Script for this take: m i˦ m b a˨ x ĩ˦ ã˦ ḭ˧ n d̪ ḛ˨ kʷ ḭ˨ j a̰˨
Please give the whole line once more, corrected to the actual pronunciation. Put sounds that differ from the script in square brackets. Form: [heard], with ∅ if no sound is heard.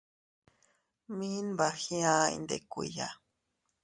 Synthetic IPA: m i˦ [n] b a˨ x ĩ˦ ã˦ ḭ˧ n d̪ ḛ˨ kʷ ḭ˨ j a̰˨